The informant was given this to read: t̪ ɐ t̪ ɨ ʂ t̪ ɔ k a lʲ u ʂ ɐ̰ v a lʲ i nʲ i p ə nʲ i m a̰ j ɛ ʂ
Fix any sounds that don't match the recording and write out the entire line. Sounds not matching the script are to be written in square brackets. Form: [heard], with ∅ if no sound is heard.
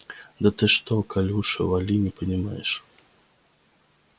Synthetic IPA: [d̪] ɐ t̪ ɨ ʂ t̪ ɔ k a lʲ u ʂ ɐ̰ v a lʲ i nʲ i p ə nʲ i m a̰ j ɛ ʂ